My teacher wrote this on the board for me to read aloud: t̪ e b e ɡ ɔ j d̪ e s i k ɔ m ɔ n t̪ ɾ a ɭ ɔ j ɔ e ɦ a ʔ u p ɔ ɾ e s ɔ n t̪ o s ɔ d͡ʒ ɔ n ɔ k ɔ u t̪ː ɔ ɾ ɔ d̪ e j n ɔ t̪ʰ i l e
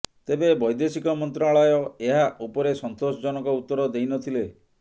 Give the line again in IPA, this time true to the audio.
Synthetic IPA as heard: t̪ e b e b ɔ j d̪ e s i k ɔ m ɔ n t̪ ɾ a ɭ ɔ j ɔ e ɦ a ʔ u p ɔ ɾ e s ɔ n t̪ o s ɔ d͡ʒ ɔ n ɔ k ɔ u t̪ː ɔ ɾ ɔ d̪ e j n ɔ t̪ʰ i l e

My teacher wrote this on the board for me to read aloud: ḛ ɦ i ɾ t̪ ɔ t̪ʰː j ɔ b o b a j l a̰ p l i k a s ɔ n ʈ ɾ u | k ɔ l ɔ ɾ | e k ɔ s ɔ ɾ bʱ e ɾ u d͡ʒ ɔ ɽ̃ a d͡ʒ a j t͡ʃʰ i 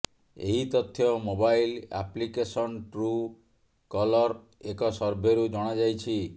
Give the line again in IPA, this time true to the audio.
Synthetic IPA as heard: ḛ ɦ i t̪ ɔ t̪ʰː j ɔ m o b a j l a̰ p l i k e s ɔ n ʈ ɾ u | k ɔ l ɔ ɾ | e k ɔ s ɔ ɾ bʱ e ɾ u d͡ʒ ɔ ɽ̃ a d͡ʒ a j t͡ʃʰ i

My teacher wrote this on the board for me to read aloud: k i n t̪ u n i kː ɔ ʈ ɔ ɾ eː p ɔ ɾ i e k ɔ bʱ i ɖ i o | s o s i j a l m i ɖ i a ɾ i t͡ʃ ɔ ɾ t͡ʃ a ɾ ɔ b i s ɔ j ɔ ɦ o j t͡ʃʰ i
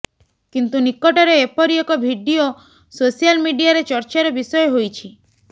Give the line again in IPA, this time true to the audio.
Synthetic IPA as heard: k i n t̪ u n i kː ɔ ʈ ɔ ɾ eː p ɔ ɾ i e k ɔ bʱ i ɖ i o | s o s i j a l m i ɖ i a ɾ e t͡ʃ ɔ ɾ t͡ʃ a ɾ ɔ b i s ɔ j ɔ ɦ o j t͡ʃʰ i

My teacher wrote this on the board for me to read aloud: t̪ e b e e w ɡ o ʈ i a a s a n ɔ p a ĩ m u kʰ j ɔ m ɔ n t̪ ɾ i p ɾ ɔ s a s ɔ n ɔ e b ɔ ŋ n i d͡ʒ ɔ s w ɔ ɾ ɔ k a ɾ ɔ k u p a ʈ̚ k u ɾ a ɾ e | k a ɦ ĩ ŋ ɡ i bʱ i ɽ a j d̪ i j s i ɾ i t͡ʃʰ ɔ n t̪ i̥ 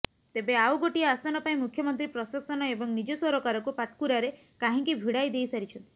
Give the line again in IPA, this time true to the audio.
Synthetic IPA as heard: t̪ e b e a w ɡ o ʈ i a a s a n ɔ p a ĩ m u kʰ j ɔ m ɔ n t̪ ɾ i p ɾ ɔ s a s ɔ n ɔ e b ɔ ŋ n i d͡ʒ ɔ s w ɔ ɾ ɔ k a ɾ ɔ k u p a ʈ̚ k u ɾ a ɾ e | k a ɦ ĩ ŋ k i bʱ i ɽ a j d̪ e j s a ɾ i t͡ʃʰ ɔ n t̪ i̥

